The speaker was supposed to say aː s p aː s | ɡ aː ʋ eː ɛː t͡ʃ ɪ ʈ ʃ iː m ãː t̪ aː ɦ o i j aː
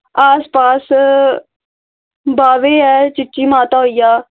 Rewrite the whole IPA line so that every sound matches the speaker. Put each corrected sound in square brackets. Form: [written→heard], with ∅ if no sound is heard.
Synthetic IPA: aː s p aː s | [ɡ→b] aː ʋ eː ɛː t͡ʃ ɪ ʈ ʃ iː m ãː t̪ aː ɦ o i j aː